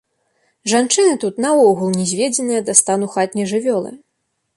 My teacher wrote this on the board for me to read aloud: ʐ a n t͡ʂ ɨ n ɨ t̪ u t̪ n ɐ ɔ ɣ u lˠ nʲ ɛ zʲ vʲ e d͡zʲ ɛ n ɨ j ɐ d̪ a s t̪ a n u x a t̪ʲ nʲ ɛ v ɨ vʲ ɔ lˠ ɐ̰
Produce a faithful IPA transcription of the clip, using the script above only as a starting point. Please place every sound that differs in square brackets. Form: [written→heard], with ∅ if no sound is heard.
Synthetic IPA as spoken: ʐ a n t͡ʂ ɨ n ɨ t̪ u t̪ n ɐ ɔ ɣ u lˠ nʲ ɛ zʲ vʲ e d͡zʲ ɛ n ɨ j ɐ d̪ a s t̪ a n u x a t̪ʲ nʲ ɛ [v→ʐ] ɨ vʲ ɔ lˠ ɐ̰